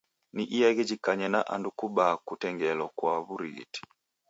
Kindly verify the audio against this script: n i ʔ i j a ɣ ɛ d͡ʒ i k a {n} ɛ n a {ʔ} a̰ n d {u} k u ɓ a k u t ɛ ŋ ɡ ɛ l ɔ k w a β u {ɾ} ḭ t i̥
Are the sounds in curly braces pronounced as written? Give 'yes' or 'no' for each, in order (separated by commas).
no, yes, yes, yes